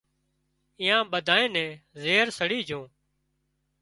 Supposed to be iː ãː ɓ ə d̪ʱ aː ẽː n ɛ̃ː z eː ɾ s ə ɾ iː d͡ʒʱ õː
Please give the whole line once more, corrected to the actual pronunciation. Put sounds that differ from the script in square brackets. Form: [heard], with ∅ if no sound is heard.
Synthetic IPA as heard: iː ãː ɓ ə d̪ʱ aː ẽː n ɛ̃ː z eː ɾ s ə [ɽ] iː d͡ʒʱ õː

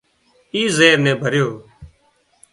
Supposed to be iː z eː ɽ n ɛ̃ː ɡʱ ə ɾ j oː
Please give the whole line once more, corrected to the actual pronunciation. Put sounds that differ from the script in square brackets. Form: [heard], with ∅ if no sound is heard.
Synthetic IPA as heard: iː z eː [ɾ] n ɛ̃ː [bʱ] ə ɾ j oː

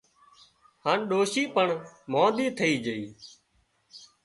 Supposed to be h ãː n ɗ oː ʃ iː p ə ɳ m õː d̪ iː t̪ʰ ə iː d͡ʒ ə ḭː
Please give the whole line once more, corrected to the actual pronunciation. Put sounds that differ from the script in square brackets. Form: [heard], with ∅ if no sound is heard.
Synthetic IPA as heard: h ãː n ɗ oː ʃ iː p ə ɳ m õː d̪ iː t̪ʰ ə iː d͡ʒ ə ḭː

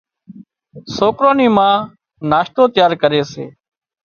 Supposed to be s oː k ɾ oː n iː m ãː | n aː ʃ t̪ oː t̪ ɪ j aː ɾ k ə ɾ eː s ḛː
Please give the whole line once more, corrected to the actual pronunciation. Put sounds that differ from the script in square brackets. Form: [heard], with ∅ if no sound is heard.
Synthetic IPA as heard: s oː k ɾ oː n iː m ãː | n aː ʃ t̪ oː t̪ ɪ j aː ɾ k ə ɾ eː s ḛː

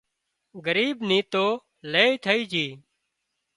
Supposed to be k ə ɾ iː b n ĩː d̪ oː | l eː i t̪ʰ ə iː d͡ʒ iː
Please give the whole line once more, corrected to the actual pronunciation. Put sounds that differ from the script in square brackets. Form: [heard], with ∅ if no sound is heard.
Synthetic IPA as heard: [ɡ] ə ɾ iː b n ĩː [t̪] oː | l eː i t̪ʰ ə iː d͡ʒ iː

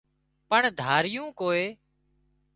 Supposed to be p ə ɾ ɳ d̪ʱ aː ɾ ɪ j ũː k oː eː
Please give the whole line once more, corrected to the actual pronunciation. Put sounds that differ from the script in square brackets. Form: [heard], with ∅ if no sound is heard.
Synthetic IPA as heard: p ə [∅] ɳ d̪ʱ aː ɾ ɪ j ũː k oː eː

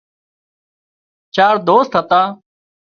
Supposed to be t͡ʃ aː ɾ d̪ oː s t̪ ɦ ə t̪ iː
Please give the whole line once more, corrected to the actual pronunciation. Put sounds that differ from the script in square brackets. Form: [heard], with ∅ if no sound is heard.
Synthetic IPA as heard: t͡ʃ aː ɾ d̪ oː s t̪ ɦ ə t̪ [aː]

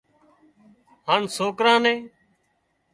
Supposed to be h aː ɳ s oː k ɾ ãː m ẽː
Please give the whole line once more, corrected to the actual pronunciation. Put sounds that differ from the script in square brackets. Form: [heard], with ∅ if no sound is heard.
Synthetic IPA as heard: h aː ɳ s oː k ɾ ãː [n] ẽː

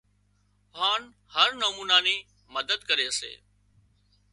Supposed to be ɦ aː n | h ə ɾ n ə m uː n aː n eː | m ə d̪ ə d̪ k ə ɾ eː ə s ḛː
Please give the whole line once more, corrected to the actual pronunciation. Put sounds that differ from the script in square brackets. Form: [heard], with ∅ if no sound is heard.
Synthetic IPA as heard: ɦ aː n | h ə ɾ n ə m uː n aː n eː | m ə d̪ ə d̪ k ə ɾ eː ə s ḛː

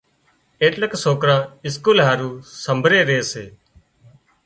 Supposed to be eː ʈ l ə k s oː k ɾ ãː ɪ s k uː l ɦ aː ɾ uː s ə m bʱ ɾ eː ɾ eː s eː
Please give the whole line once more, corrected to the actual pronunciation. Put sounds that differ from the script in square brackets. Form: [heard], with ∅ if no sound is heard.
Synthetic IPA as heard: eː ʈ l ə k s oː k ɾ ãː ɪ s k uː l ɦ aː ɾ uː s ə m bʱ ɾ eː ɾ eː s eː

